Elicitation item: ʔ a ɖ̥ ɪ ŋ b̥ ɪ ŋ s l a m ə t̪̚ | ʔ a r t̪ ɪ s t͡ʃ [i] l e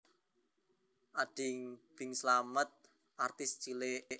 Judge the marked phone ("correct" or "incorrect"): correct